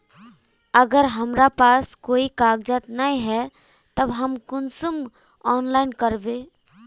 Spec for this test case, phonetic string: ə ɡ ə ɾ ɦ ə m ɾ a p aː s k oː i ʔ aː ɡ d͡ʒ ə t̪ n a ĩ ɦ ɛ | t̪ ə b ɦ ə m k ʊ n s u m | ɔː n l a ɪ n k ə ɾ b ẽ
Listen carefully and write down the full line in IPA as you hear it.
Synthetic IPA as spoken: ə ɡ ə ɾ ɦ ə m ɾ a p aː s k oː i k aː ɡ d͡ʒ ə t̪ n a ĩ ɦ ɛ | t̪ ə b ɦ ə m k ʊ n s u m | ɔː n l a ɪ n k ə ɾ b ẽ